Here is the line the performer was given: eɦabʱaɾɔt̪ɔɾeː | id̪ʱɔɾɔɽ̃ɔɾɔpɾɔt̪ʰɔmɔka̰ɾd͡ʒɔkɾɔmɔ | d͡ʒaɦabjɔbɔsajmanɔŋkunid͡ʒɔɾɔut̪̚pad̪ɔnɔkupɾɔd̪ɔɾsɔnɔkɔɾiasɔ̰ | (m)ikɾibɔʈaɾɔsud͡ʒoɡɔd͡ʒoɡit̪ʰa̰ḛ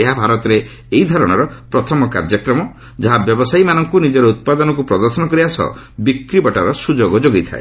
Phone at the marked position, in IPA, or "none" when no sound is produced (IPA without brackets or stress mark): b